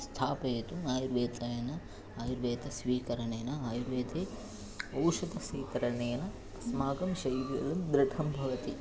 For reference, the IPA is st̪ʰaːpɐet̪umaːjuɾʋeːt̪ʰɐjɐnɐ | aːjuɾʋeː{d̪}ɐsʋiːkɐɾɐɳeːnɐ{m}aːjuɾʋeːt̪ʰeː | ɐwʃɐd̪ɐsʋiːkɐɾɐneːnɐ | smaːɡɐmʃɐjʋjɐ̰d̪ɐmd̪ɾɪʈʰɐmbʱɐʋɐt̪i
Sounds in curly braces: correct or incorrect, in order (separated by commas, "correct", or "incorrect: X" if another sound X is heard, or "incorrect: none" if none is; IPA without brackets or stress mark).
incorrect: t̪, incorrect: none